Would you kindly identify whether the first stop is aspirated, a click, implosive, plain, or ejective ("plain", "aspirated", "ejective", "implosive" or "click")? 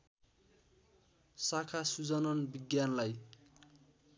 aspirated